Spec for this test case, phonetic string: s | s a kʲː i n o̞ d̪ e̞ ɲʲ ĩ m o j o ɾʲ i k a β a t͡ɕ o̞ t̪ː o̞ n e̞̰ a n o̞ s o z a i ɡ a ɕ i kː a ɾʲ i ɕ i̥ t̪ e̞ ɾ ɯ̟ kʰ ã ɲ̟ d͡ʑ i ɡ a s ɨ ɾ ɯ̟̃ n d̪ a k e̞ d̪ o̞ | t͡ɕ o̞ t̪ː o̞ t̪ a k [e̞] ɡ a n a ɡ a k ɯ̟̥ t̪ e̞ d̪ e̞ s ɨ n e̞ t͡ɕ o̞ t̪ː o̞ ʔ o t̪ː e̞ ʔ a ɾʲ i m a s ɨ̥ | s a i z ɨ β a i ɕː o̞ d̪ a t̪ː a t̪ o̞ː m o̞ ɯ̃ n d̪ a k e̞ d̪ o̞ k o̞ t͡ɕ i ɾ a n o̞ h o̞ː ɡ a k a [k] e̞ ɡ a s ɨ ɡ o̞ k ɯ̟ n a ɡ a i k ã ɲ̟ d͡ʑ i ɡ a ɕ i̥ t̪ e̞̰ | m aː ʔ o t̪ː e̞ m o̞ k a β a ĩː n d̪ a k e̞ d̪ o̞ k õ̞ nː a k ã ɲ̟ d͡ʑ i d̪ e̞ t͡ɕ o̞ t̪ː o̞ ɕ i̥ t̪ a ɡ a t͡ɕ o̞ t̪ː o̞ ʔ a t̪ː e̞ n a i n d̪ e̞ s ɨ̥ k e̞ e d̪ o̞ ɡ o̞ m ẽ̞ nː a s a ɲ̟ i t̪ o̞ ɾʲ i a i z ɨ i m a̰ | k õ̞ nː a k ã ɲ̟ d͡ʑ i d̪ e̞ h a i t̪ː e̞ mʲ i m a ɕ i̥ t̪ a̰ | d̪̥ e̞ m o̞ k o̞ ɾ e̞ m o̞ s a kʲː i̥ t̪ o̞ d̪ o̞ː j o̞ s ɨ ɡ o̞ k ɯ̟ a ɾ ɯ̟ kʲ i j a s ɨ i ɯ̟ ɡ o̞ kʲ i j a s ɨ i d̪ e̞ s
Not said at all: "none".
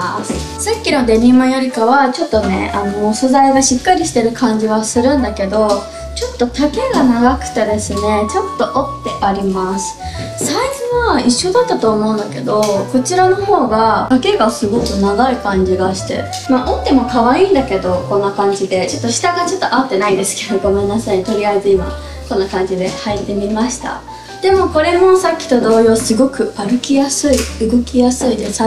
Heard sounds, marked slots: e̞, k

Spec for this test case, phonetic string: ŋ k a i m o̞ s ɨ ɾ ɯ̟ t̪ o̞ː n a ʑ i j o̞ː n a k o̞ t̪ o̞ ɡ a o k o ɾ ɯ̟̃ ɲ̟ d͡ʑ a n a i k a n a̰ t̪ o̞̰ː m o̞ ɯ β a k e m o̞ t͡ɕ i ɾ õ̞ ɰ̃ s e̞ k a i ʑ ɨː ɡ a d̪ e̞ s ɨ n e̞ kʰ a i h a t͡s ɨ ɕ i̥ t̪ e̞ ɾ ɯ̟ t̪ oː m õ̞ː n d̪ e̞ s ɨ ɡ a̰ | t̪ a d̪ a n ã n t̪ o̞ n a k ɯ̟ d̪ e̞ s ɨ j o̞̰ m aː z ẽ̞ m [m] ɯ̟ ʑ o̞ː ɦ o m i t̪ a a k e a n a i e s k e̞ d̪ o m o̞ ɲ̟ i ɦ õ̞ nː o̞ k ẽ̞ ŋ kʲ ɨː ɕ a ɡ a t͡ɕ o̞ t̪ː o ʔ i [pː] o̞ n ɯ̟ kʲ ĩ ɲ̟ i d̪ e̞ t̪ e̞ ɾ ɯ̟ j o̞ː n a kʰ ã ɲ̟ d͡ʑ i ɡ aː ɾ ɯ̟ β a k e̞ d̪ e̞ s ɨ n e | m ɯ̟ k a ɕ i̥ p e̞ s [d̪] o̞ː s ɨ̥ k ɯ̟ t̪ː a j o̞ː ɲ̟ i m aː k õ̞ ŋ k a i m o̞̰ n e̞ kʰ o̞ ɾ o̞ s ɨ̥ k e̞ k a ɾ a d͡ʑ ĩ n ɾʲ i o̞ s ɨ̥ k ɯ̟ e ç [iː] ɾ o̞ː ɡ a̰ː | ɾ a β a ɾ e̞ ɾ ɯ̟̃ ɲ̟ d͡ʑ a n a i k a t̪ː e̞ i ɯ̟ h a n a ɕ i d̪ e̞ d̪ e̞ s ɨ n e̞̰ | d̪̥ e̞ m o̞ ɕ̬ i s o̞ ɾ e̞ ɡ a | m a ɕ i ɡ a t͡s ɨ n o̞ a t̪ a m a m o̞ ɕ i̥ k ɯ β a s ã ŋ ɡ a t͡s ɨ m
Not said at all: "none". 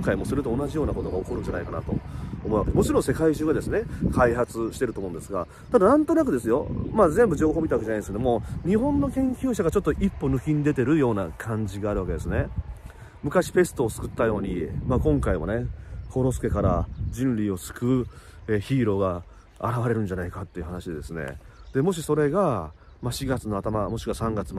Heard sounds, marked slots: b, pː, t̪, iː

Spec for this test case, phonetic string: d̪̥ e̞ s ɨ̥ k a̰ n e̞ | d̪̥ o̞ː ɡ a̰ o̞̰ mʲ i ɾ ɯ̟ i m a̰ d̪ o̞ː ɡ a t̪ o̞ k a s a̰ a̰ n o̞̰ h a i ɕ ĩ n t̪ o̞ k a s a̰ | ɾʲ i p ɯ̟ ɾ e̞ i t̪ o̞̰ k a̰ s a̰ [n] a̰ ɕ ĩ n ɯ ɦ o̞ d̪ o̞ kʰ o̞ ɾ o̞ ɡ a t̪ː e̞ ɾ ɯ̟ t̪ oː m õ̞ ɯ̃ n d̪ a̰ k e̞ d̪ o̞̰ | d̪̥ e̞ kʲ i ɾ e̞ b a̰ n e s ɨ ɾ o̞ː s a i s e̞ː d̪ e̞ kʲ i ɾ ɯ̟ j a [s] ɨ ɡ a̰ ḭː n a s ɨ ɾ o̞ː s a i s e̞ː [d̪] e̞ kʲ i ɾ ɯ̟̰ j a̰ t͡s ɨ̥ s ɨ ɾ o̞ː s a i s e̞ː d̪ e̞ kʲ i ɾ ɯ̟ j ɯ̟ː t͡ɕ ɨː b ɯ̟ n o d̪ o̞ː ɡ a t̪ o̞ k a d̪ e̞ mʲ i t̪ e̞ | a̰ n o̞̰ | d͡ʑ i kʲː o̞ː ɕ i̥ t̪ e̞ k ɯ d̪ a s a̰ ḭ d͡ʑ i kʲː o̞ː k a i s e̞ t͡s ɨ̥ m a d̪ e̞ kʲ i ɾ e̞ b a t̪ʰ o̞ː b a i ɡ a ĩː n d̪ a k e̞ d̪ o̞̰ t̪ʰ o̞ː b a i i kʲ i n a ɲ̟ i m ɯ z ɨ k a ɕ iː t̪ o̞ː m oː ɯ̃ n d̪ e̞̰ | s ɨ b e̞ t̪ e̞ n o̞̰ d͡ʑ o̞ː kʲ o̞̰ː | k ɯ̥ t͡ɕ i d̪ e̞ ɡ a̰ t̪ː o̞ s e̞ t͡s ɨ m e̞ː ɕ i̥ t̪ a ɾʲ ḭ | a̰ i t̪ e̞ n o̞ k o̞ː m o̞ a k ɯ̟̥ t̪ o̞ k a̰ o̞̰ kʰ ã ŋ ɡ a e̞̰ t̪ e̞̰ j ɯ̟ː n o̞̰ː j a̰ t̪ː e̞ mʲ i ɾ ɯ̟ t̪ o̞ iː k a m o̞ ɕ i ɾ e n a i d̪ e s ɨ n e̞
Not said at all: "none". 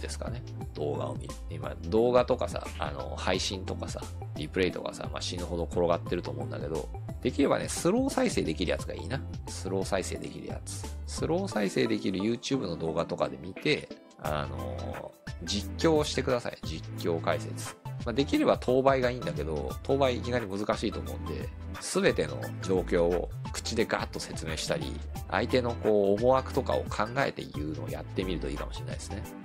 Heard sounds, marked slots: m, t͡s, d̪

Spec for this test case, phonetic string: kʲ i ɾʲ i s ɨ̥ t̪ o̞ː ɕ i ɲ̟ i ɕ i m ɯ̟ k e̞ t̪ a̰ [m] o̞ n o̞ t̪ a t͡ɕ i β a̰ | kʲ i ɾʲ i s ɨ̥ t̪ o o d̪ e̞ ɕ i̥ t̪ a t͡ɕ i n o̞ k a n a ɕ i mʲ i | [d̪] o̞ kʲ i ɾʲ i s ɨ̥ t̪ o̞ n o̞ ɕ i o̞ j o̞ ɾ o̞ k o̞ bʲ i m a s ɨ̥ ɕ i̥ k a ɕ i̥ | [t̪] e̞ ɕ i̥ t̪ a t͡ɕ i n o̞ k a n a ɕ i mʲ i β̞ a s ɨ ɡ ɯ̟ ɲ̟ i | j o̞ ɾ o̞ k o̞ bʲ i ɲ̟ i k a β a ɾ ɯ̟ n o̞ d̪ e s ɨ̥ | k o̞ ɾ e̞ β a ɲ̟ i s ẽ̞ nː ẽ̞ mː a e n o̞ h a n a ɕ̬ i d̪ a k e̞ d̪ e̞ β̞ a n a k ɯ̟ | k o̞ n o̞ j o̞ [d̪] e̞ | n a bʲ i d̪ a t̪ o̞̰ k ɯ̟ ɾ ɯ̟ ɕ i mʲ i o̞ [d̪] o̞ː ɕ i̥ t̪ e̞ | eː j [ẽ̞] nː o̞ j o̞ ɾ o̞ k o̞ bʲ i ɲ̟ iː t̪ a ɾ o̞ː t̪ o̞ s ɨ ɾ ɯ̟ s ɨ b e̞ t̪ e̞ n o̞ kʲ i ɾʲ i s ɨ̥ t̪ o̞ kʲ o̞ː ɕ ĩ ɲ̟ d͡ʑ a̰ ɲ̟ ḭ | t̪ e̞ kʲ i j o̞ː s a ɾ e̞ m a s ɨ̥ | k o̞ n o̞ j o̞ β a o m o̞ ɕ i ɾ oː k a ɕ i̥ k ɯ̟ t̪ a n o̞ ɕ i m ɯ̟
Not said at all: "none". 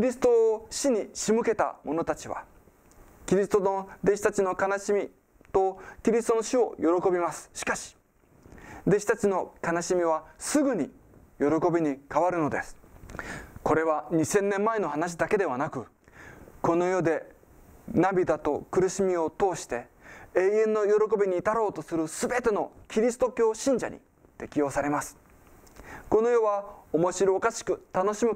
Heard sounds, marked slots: m, t̪, d̪, d̪, t̪, ẽ̞

